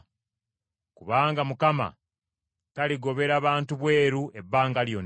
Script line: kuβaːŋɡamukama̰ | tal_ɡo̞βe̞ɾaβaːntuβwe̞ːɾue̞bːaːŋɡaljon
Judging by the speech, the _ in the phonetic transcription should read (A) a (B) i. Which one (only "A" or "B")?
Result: B